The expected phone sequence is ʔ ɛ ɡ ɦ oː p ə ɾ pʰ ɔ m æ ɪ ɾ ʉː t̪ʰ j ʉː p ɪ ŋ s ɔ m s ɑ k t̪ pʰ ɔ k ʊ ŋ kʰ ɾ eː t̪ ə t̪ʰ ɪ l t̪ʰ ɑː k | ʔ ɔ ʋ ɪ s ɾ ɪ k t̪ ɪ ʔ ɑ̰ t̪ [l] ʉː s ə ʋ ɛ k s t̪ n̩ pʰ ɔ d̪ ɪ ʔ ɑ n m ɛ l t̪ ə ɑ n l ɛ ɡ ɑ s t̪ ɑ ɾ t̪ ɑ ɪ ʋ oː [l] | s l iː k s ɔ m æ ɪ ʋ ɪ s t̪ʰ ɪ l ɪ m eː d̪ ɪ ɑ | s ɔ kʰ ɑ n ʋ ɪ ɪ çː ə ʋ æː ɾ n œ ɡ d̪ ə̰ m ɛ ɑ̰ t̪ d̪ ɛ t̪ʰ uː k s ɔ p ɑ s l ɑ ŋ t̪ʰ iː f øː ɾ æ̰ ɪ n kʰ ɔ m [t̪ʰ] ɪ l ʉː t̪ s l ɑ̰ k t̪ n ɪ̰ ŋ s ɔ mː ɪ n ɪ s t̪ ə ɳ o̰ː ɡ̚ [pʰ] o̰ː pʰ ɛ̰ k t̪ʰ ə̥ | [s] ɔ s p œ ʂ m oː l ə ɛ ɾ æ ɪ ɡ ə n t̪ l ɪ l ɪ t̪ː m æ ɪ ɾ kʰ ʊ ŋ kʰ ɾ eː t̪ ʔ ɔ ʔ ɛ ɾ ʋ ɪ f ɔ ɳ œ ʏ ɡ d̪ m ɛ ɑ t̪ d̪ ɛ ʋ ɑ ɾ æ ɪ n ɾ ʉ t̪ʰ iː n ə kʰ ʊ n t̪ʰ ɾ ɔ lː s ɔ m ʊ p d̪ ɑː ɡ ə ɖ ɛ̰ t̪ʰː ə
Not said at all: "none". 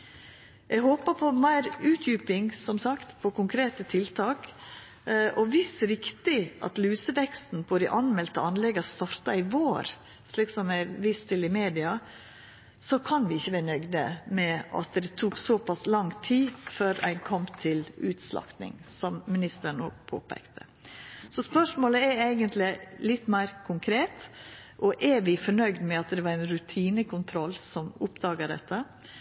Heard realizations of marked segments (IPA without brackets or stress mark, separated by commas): l, ɾ, t̪ʰ, pʰ, s